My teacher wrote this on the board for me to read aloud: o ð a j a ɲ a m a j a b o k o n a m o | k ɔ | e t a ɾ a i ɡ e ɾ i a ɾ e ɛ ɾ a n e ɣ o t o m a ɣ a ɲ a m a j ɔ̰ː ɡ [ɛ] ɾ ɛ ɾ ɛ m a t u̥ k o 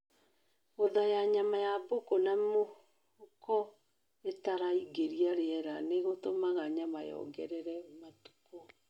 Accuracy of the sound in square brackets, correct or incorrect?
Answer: correct